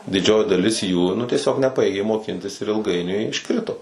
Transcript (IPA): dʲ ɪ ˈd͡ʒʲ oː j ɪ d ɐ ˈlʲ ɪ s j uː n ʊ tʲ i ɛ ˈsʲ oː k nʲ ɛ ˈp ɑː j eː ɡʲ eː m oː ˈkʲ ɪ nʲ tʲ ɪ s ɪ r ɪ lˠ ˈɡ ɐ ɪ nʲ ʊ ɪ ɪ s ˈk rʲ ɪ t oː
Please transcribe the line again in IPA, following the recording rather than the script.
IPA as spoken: dʲ ɪ ˈd͡ʒʲ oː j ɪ d ɐ ˈlʲ ɪ s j uː n ʊ tʲ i ɛ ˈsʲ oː k nʲ ɛ ˈp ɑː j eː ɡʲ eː m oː ˈkʲ ɪ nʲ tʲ ɪ s ɪ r ɪ lˠ ˈɡ ɐ ɪ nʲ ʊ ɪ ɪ ʃ ˈk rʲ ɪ t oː

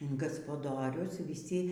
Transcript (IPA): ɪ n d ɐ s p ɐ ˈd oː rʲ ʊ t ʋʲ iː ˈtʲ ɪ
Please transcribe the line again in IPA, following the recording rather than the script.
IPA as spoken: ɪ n ɡ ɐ s p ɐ ˈd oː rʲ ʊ s ʋʲ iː ˈsʲ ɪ

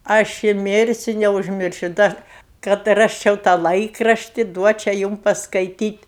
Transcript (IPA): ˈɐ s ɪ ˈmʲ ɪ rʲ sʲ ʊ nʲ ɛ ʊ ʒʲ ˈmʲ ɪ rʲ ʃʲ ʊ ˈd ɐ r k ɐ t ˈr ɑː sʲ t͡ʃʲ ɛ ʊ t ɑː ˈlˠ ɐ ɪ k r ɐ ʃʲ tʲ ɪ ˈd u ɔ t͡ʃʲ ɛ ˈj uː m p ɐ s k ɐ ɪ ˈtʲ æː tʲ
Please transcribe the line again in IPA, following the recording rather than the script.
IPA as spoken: ˈɐ ʃ ɪ ˈmʲ ɪ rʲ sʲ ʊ nʲ ɛ ʊ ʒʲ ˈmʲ ɪ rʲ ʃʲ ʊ ˈd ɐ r k ɐ t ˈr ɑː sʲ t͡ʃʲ ɛ ʊ t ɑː ˈlˠ ɐ ɪ k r ɐ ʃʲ tʲ ɪ ˈd u ɔ t͡ʃʲ ɛ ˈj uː m p ɐ s k ɐ ɪ ˈtʲ iː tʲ

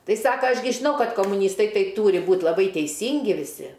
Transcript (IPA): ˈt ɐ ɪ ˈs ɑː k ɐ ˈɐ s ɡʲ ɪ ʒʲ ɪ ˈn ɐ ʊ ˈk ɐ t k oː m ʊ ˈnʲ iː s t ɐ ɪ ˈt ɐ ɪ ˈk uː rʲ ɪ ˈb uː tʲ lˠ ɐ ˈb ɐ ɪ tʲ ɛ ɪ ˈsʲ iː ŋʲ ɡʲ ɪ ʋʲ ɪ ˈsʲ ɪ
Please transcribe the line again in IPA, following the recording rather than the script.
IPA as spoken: ˈt ɐ ɪ ˈs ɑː k ɐ ˈɐ ʃ ɡʲ ɪ ʒʲ ɪ ˈn ɐ ʊ ˈk ɐ t k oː m ʊ ˈnʲ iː s t ɐ ɪ ˈt ɐ ɪ ˈt uː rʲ ɪ ˈb uː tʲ lˠ ɐ ˈb ɐ ɪ tʲ ɛ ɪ ˈsʲ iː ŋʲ ɡʲ ɪ ʋʲ ɪ ˈsʲ ɪ

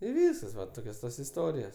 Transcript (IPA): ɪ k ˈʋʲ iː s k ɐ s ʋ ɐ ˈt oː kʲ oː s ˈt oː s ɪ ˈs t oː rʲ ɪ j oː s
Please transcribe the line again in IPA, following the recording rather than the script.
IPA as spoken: ɪ ˈʋʲ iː s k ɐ s ʋ ɐ ˈt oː kʲ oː s ˈt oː s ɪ ˈs t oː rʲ ɪ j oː s

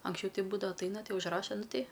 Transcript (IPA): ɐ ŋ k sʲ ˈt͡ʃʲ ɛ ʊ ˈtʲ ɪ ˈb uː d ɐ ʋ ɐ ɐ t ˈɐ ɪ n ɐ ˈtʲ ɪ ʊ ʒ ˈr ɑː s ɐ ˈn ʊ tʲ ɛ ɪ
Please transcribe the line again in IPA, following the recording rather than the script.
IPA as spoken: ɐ ŋ k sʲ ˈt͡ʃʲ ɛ ʊ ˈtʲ ɪ ˈb uː d ɐ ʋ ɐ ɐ t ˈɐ ɪ n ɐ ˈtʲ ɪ ʊ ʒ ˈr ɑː ʃ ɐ ˈn ʊ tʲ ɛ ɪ

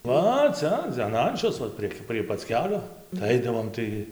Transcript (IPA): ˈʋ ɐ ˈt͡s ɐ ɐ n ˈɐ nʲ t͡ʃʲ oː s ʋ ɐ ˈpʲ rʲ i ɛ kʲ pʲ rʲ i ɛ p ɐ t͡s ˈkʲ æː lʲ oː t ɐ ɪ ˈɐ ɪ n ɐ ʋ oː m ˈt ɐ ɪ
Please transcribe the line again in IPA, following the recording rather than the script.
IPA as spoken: ˈʋ ɐ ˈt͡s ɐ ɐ n ˈɐ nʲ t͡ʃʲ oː s ʋ ɐ ˈpʲ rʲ i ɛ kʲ pʲ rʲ i ɛ p ɐ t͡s ˈkʲ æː lʲ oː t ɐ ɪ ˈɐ ɪ d ɐ ʋ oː m ˈt ɐ ɪ

